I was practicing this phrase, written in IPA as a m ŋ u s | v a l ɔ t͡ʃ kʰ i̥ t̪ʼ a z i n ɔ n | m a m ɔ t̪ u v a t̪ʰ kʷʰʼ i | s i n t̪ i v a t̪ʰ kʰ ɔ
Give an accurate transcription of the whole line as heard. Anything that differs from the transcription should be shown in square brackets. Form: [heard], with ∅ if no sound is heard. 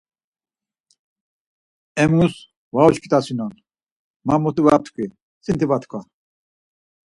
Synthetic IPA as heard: [ɛ] m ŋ u s | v a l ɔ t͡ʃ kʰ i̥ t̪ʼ a [s] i n ɔ n | m a m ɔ t̪ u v a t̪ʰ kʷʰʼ i | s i n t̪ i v a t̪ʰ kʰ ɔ